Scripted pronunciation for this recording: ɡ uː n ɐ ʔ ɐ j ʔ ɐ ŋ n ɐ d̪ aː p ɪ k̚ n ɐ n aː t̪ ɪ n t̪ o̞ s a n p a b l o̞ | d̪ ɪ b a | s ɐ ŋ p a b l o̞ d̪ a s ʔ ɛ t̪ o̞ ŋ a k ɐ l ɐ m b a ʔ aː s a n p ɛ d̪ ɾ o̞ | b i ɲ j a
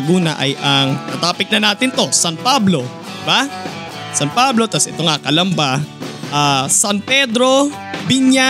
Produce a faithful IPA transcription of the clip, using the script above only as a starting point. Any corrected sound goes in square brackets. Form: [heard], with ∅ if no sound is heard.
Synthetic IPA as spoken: ɡ uː n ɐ ʔ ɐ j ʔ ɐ ŋ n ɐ [t̪] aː p ɪ k̚ n ɐ n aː t̪ ɪ n t̪ o̞ s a n p a b l o̞ | d̪ ɪ b a | s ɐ [n] p a b l o̞ [t̪] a s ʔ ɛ t̪ o̞ ŋ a k ɐ l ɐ m b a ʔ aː s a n p ɛ d̪ ɾ o̞ | b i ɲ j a